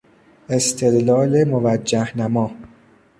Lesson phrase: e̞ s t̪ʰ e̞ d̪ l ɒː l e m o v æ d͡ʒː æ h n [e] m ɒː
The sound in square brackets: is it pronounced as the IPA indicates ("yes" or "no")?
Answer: no